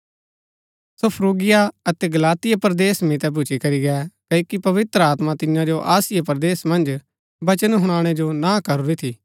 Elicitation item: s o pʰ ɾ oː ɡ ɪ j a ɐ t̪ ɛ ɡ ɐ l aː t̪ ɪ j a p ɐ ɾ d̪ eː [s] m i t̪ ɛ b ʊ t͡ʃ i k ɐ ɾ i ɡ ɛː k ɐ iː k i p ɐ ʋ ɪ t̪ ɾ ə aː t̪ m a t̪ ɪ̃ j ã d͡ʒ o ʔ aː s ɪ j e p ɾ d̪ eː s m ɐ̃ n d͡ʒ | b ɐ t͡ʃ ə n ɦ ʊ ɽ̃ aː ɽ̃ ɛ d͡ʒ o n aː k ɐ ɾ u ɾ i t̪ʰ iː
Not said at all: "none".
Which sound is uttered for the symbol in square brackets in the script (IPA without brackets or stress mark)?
s